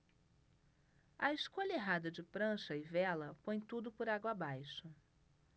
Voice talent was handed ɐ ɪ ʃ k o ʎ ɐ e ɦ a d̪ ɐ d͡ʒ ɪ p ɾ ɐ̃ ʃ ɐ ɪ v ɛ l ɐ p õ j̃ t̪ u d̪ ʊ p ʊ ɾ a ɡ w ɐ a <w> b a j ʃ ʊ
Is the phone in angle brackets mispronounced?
yes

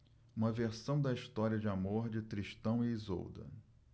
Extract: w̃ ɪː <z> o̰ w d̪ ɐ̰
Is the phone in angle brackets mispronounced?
no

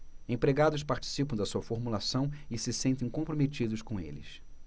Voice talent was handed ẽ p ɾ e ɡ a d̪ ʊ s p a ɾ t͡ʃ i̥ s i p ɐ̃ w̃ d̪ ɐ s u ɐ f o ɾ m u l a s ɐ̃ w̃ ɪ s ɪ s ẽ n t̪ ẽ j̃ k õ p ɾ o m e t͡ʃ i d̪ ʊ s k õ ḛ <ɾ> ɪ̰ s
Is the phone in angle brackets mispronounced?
yes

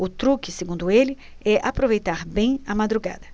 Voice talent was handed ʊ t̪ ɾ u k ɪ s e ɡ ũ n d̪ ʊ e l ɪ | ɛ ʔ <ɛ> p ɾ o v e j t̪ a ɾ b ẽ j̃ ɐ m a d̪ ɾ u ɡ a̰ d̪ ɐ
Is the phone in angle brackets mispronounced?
yes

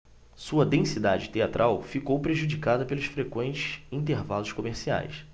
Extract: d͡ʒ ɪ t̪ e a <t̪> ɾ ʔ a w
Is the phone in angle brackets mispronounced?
no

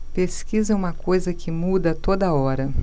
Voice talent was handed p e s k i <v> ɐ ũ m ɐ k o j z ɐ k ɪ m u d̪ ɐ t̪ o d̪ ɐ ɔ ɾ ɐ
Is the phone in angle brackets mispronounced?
yes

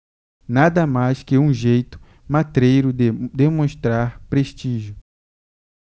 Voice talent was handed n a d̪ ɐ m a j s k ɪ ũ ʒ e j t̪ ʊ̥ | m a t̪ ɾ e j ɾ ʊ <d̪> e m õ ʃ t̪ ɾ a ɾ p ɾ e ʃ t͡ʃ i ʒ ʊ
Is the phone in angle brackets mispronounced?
no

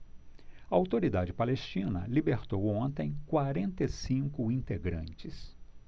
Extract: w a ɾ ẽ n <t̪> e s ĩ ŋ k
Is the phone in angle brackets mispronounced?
no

